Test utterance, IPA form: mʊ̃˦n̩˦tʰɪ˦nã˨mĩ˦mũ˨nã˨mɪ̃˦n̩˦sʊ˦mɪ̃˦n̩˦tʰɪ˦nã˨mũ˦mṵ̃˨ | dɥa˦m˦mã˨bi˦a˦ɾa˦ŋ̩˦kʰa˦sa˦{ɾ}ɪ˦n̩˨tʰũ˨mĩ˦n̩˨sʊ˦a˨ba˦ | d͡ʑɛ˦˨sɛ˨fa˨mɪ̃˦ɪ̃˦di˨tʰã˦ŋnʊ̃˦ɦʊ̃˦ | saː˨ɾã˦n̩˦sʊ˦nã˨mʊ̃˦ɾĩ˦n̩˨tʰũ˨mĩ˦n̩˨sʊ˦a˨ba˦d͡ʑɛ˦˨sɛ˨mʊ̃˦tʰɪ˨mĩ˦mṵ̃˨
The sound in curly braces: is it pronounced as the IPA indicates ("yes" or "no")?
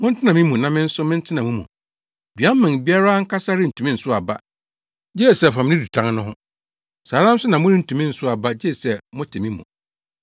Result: yes